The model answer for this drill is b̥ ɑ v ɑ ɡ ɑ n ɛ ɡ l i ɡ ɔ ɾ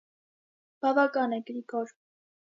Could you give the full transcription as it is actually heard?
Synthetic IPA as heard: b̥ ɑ v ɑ k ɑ n ɛ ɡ ɾ i k ɔ ɾ